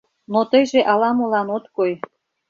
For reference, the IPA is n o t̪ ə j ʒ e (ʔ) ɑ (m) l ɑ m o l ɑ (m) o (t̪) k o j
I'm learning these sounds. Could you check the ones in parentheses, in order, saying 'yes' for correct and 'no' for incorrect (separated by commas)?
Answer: yes, no, no, yes